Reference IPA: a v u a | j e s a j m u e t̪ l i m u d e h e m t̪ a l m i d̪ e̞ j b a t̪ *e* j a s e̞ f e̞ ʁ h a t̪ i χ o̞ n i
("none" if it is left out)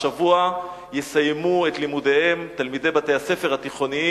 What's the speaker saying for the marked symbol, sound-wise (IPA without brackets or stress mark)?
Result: e